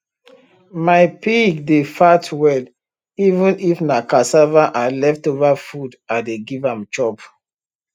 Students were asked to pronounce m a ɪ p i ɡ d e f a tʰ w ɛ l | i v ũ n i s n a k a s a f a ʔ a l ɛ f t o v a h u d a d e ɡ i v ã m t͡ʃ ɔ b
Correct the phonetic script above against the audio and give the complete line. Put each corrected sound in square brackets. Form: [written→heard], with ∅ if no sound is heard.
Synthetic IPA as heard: m a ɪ p i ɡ d e f a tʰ w ɛ l | i v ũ n i [s→f] n a k a s a [f→v] a ʔ a l ɛ f t o v a [h→f] u d a d e ɡ i v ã m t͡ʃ ɔ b